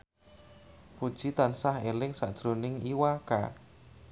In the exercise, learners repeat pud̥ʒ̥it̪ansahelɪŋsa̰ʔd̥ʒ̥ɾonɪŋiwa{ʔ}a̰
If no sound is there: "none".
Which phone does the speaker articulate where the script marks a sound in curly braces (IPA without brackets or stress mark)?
k